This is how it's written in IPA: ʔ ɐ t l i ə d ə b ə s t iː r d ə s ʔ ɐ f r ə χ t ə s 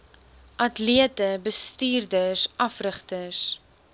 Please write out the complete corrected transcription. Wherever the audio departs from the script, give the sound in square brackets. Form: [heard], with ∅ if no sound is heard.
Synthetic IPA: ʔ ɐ t l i ə [t] ə b ə s t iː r d ə s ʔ ɐ f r ə χ t ə s